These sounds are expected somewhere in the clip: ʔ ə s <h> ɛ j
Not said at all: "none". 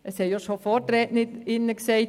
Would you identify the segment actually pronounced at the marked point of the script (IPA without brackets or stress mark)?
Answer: h